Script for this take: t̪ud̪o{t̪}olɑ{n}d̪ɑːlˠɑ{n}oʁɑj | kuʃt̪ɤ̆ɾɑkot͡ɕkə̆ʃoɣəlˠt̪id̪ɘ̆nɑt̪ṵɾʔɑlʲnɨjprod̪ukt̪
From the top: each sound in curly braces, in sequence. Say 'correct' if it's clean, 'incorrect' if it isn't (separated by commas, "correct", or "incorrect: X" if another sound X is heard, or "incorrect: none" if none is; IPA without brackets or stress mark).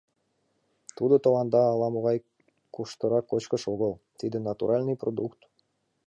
correct, correct, incorrect: m